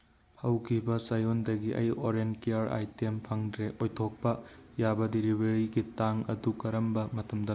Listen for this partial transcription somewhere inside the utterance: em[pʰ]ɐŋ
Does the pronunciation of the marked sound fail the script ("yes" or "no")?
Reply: no